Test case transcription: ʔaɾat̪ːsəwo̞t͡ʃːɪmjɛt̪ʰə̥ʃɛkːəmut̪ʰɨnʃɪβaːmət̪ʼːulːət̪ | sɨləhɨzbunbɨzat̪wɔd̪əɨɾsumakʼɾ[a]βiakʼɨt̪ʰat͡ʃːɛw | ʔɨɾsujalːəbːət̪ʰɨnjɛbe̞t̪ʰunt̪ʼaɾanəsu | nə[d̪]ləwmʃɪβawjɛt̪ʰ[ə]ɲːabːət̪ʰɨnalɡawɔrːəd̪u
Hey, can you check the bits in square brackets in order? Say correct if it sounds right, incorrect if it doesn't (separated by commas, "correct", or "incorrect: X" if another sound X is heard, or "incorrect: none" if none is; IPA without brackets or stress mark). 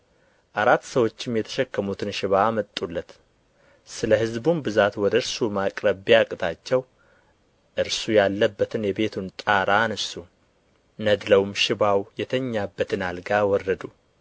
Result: incorrect: ə, correct, correct